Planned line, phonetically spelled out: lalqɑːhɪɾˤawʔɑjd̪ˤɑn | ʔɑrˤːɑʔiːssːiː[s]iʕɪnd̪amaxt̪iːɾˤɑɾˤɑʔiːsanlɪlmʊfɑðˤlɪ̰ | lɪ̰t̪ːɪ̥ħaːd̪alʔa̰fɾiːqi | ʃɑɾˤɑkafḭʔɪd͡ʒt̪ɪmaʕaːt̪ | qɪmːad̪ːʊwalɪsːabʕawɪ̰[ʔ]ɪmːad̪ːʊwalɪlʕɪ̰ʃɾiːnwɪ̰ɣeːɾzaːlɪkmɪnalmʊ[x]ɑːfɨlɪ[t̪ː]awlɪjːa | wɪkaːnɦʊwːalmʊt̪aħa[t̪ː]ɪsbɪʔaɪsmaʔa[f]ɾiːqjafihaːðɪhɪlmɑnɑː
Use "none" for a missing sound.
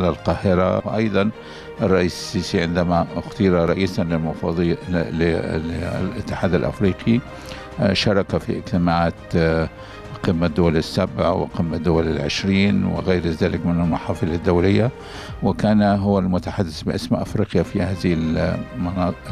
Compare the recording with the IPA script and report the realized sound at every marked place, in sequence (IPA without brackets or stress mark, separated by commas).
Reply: s, q, ħ, d̪ː, d̪ː, f